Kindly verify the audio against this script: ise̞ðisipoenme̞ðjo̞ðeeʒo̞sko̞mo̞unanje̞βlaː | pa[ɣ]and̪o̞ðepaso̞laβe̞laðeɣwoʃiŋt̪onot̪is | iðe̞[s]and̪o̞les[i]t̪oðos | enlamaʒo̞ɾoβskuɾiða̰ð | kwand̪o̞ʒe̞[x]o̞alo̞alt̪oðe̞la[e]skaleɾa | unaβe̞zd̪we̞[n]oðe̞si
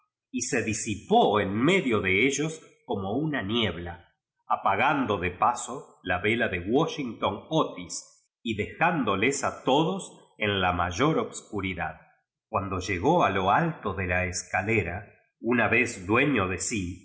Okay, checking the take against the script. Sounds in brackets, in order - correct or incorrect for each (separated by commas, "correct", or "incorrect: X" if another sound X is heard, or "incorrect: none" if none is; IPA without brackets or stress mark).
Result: correct, incorrect: x, incorrect: a, incorrect: ɣ, correct, incorrect: ɲ